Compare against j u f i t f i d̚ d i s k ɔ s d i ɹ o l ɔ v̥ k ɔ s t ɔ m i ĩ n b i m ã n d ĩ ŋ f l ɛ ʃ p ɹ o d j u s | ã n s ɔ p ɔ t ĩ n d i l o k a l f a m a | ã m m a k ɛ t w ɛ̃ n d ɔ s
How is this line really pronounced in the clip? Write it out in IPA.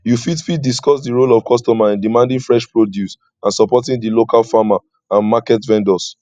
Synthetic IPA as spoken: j u f i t f i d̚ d i s k ɔ s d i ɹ o l ɔ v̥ k ɔ s t ɔ m a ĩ n d i m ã n d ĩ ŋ f ɹ ɛ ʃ p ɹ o d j u s | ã n s ɔ p ɔ t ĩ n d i l o k a l f a m a | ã n m a k ɛ t v ɛ̃ n d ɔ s

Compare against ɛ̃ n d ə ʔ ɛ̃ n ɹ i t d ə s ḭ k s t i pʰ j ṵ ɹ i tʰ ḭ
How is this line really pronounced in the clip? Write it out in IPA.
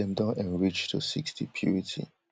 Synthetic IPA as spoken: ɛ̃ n d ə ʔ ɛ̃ n ɹ i t͡ʃ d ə s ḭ k s t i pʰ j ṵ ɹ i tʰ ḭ

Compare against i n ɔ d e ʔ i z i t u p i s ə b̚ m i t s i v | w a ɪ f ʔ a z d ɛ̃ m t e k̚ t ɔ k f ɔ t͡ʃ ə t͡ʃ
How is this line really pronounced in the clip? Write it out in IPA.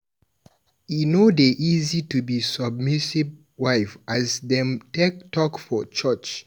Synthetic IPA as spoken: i n o d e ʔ i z i t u b i s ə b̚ m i s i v | w a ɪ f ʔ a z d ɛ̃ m t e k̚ t ɔ k f ɔ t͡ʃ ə t͡ʃ

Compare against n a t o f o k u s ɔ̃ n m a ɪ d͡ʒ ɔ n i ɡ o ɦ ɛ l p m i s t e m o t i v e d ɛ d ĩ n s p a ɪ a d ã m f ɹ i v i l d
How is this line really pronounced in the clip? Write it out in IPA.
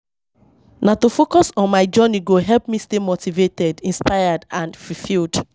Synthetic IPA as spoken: n a t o f o k ɔ s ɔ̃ n m a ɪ d͡ʒ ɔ n i ɡ o ɦ ɛ l p m i s t e m o t i v e t ɛ d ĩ n s p a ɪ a d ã n f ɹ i f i l d

